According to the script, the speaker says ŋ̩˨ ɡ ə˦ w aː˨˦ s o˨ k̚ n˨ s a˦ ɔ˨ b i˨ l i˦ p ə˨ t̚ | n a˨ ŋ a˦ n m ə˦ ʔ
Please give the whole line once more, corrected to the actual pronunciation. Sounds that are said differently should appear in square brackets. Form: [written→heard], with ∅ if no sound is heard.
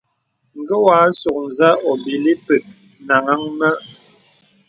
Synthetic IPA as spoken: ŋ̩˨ ɡ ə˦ w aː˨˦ s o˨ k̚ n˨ [s→z] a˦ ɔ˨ b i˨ l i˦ p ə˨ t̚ | n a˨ ŋ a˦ [n→ŋ] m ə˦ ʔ